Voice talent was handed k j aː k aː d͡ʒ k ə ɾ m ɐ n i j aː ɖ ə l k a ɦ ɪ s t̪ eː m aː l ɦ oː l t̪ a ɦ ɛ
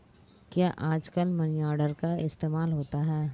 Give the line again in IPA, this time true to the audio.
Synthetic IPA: k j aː ʔ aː d͡ʒ k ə l m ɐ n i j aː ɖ ə ɾ k a ɪ s t̪ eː m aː l ɦ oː t̪ a ɦ ɛː